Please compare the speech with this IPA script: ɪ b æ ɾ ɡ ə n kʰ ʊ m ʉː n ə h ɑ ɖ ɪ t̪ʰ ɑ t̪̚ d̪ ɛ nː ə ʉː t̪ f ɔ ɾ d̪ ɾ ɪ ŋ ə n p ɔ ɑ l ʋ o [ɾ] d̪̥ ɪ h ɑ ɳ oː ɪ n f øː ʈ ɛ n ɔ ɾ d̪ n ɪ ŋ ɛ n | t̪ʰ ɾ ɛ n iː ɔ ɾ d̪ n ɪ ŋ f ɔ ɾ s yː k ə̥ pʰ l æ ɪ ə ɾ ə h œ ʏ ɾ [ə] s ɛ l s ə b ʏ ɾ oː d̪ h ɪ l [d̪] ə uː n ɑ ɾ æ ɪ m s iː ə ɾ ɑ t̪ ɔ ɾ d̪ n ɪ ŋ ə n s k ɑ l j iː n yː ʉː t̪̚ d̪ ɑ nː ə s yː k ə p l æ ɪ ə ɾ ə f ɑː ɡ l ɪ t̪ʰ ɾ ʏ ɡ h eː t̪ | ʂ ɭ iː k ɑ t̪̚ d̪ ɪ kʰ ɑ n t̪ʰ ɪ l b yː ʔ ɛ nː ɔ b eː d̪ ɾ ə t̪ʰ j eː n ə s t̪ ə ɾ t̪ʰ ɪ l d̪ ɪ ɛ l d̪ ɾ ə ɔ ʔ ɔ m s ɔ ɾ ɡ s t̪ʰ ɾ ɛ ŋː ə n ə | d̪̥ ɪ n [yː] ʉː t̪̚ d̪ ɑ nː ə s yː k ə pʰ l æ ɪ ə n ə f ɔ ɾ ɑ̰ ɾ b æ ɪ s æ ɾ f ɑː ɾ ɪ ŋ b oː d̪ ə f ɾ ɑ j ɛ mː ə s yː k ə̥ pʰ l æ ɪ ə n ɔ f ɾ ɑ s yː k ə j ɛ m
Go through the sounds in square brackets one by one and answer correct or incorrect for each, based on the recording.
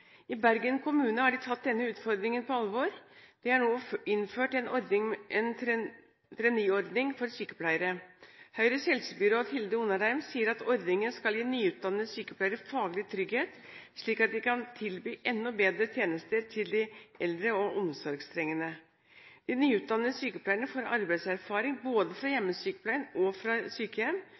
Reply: correct, correct, correct, correct

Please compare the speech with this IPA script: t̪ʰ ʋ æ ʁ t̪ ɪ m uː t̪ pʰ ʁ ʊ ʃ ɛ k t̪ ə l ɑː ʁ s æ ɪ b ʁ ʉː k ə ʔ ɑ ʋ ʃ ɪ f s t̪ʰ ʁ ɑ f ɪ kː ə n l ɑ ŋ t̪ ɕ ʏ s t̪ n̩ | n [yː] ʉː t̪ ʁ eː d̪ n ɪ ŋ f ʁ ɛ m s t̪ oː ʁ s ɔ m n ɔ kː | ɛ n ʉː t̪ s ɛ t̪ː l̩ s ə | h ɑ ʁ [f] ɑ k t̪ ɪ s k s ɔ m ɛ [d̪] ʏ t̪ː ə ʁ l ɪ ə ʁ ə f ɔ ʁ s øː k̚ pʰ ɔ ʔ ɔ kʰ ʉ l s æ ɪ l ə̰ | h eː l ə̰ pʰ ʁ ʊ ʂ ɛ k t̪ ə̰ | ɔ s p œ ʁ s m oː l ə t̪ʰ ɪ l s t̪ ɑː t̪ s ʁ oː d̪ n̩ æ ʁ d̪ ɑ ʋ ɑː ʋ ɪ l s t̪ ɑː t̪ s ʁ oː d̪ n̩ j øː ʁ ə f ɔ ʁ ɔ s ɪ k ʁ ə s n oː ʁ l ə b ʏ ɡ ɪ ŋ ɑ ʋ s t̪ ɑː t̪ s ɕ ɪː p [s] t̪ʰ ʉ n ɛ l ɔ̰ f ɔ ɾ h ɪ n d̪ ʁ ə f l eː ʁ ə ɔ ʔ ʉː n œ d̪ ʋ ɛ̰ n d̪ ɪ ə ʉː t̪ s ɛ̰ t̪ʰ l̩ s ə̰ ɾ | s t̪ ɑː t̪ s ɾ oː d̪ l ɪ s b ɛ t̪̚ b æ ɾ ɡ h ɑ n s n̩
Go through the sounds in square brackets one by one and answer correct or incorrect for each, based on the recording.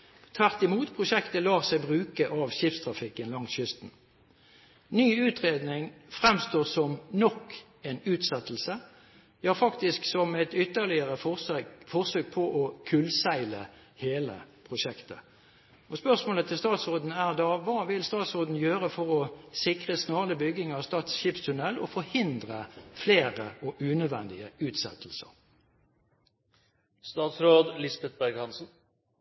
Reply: correct, correct, incorrect: t̪, correct

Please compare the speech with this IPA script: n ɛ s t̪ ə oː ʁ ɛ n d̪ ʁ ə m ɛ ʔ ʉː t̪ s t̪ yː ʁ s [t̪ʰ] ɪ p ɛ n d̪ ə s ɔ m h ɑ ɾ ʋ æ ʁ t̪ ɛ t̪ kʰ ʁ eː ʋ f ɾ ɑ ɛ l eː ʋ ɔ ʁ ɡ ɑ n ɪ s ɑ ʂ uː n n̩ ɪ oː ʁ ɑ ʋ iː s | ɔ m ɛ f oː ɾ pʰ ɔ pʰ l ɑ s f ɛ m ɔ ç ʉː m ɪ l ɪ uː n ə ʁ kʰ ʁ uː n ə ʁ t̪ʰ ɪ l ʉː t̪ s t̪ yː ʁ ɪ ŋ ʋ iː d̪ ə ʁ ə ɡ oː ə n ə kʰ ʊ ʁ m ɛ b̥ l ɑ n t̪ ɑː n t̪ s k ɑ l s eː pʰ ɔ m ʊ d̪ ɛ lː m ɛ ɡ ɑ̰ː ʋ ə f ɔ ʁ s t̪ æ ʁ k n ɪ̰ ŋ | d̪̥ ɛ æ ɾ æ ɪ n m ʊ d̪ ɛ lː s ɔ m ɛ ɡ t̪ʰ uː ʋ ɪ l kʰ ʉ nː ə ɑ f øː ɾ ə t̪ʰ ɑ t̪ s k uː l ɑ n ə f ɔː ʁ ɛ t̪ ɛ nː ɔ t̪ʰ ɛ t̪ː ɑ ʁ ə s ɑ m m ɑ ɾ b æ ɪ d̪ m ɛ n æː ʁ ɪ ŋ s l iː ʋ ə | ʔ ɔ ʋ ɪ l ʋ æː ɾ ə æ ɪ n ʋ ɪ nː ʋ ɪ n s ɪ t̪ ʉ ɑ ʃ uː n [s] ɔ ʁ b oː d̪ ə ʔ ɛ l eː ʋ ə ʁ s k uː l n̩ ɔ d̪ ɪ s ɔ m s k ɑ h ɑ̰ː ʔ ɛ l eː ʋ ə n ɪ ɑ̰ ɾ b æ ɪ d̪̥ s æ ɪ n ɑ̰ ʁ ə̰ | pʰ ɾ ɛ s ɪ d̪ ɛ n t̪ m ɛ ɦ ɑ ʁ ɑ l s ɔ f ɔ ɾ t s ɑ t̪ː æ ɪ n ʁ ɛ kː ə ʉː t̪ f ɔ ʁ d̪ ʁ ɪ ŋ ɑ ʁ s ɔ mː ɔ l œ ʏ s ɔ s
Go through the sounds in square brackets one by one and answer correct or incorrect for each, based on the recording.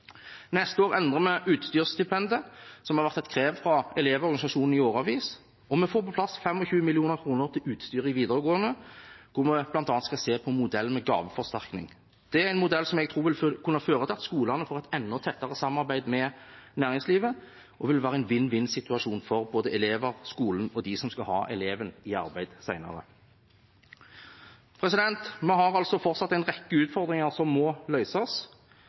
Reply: incorrect: t̪, incorrect: f

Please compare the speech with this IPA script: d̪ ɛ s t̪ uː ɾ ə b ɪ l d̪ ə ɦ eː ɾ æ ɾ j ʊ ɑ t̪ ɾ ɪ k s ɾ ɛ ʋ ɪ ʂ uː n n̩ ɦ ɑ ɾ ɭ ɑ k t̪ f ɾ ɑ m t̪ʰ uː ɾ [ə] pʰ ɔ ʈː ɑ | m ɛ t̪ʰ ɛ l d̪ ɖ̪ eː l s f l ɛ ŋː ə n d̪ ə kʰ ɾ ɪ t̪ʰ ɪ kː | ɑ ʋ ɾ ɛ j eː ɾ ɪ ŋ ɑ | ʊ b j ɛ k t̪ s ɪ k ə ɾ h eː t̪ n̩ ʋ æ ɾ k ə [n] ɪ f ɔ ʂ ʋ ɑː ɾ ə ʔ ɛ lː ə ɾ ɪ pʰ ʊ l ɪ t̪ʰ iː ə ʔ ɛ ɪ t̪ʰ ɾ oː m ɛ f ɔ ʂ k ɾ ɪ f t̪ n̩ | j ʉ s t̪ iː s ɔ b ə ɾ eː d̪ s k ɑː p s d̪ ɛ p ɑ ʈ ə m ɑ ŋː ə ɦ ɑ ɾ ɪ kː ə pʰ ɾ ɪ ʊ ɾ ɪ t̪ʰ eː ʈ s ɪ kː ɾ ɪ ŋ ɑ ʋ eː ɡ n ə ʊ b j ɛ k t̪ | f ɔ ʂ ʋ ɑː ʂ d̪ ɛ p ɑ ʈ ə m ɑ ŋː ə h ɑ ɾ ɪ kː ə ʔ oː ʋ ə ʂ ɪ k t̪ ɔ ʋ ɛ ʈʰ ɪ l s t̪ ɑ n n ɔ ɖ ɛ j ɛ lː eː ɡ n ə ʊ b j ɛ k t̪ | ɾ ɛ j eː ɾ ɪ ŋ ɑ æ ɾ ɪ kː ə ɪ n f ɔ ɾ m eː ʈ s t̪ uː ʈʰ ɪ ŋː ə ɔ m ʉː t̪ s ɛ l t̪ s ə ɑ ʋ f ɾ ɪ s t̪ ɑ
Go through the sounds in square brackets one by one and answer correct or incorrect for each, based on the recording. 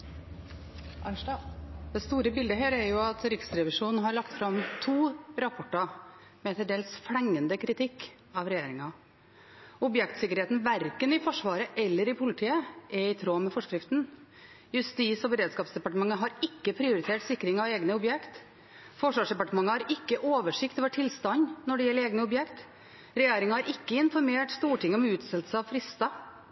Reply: incorrect: ɑ, correct

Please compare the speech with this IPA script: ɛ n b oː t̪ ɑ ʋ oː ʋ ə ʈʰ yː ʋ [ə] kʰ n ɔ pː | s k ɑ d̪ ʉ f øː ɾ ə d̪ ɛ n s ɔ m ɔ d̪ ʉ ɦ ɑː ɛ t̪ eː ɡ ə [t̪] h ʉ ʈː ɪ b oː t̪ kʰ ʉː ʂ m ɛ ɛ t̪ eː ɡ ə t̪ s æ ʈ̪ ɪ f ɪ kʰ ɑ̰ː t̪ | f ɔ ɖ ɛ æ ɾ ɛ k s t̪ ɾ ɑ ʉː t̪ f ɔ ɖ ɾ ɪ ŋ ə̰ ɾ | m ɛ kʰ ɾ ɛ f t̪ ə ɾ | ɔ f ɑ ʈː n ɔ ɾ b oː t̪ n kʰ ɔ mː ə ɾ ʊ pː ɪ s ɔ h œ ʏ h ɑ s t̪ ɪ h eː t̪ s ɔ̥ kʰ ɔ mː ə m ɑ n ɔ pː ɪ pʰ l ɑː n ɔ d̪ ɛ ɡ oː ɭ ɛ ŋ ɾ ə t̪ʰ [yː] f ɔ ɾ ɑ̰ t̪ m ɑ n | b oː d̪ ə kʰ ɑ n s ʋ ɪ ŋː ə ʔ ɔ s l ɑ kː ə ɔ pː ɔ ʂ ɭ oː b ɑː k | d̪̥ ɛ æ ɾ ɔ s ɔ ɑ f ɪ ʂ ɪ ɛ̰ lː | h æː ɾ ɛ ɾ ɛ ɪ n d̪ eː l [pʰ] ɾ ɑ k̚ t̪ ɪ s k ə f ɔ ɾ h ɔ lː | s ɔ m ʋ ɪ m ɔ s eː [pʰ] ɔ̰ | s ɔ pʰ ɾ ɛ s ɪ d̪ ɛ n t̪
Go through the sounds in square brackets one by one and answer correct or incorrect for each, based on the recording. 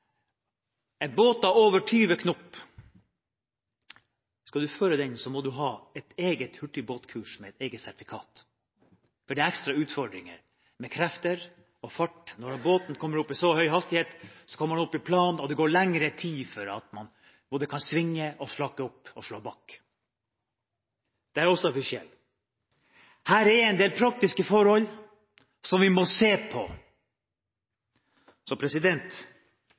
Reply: correct, correct, incorrect: iː, correct, correct

